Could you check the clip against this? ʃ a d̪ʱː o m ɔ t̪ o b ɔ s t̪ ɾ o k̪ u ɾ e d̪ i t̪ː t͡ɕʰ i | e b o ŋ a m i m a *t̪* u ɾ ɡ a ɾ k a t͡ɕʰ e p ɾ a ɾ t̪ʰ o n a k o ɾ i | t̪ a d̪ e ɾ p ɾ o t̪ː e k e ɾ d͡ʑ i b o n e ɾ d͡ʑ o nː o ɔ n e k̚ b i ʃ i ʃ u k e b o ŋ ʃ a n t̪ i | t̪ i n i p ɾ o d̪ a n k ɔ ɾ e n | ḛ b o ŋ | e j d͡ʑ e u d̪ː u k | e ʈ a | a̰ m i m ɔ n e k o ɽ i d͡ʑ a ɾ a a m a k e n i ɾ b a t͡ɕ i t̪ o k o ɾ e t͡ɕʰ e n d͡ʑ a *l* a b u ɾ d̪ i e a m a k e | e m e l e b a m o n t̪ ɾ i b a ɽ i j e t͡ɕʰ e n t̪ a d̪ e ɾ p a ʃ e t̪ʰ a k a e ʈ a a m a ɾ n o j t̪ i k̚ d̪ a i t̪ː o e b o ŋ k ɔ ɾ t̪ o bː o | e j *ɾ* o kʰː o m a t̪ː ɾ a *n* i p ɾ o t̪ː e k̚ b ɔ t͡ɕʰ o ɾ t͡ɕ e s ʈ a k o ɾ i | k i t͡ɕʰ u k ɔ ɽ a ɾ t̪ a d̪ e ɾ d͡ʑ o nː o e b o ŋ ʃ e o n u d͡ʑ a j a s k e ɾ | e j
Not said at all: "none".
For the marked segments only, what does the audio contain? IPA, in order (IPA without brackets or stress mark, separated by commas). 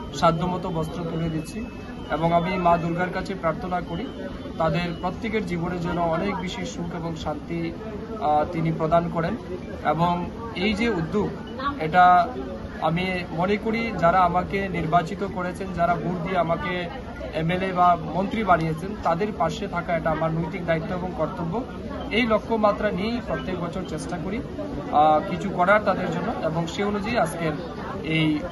d̪, ɾ, l, n